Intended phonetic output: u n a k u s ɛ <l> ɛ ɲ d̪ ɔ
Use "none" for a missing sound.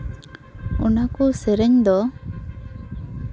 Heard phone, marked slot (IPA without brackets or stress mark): ɾ